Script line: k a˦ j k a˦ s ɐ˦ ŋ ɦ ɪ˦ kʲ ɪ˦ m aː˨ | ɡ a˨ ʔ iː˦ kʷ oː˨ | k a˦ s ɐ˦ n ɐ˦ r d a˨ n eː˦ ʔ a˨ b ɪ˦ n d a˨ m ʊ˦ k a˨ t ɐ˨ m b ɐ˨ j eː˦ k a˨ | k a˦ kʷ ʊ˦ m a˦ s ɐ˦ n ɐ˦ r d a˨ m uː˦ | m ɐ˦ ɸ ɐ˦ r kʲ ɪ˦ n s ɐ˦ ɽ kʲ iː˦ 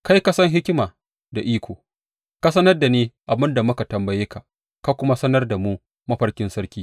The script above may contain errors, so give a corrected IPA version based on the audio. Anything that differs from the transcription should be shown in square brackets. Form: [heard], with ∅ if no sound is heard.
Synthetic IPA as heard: k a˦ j k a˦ s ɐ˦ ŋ ɦ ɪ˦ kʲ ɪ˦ m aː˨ | [d] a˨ ʔ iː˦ kʷ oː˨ | k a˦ s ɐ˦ n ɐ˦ r d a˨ n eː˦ ʔ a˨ b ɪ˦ n d a˨ m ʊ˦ k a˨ t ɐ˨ m b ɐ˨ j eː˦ k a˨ | k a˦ kʷ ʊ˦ m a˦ s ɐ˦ n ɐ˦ r d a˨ m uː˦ | m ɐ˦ ɸ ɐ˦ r kʲ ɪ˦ n s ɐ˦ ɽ kʲ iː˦

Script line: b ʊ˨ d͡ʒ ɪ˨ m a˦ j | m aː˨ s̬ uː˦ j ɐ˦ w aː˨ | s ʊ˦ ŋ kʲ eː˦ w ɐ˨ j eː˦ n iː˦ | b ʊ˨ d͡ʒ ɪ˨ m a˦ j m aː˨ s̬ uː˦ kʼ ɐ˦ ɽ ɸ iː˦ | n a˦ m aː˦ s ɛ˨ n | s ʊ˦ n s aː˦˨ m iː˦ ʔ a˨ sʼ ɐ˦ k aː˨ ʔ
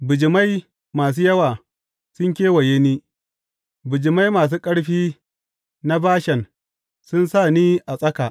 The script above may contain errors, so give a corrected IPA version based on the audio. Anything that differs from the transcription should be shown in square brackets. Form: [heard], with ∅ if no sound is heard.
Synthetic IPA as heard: b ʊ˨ d͡ʒ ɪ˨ m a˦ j | m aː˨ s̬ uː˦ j ɐ˦ w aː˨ | s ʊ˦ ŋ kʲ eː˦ w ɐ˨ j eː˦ n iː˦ | b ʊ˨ d͡ʒ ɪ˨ m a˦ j m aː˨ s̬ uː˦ kʼ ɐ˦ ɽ ɸ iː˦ | n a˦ [b] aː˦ [ʃ] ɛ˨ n | s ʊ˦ n s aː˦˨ [n] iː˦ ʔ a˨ sʼ ɐ˦ k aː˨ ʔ

